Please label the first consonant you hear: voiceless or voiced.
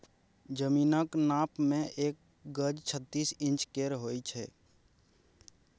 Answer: voiced